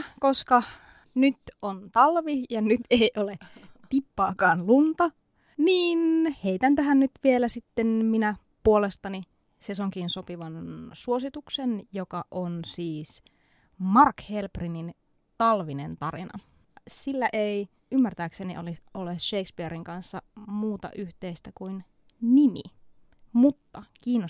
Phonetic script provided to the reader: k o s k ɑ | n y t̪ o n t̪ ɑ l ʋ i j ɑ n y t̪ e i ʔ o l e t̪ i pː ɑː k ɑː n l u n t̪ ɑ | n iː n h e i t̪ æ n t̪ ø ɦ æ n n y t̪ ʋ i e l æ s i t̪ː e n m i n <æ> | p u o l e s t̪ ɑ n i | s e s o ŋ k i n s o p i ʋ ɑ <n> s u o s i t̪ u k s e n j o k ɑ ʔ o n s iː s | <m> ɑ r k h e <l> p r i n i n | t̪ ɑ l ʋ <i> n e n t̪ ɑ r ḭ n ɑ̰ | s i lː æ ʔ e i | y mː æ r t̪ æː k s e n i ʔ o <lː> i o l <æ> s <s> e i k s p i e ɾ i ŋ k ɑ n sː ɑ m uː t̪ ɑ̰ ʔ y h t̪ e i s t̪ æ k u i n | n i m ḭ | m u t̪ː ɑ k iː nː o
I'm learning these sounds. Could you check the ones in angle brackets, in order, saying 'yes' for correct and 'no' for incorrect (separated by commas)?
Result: yes, yes, yes, yes, yes, no, no, no